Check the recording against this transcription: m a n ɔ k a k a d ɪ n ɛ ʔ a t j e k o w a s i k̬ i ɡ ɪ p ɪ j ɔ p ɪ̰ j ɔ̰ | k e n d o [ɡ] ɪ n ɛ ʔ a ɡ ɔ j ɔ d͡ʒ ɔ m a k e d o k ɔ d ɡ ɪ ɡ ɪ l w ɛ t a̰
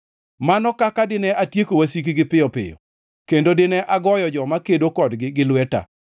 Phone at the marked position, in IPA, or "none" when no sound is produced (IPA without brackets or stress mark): d